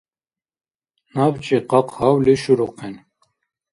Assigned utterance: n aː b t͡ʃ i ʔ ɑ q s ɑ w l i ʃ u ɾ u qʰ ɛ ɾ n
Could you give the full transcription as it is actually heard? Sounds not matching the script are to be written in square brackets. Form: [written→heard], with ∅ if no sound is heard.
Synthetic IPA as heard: n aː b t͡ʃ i [ʔ→q] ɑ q [s→h] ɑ w l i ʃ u ɾ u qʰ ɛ [ɾ→∅] n